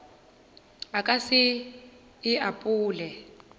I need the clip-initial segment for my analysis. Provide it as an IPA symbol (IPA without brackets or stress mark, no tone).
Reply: a